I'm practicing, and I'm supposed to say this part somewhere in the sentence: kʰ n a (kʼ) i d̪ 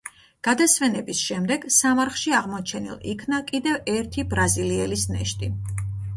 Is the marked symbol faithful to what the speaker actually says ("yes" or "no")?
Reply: yes